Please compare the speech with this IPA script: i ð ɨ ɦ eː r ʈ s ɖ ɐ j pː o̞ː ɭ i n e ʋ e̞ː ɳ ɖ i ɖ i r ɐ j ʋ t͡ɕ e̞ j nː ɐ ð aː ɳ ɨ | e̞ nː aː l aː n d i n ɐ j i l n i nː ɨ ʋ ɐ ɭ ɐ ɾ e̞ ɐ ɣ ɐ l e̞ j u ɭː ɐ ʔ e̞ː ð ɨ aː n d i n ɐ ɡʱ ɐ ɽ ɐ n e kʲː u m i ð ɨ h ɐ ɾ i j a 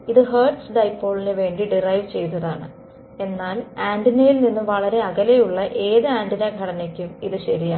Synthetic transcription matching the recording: i ð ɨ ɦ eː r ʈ s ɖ ɐ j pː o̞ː ɭ i n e ʋ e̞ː ɳ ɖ i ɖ i r ɐ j ʋ t͡ɕ e̞ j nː ɐ ð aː ɳ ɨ | e̞ nː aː l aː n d i n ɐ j i l n i nː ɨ ʋ ɐ ɭ ɐ ɾ e̞ ɐ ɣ ɐ l e̞ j u ɭː ɐ ʔ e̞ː ð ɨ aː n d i n ɐ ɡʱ ɐ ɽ ɐ n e kʲː u m i ð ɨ ɕ ɐ ɾ i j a